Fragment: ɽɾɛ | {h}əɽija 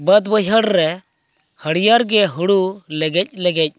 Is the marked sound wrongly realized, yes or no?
no